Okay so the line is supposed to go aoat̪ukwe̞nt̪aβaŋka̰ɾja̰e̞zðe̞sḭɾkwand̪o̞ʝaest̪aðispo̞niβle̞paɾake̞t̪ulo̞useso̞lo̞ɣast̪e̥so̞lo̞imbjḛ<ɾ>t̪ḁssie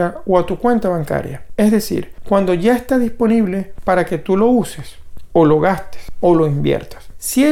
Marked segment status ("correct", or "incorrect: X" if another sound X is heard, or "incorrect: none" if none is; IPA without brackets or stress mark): correct